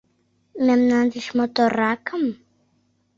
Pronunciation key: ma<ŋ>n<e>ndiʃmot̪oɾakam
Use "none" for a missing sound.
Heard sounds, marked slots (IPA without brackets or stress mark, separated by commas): m, a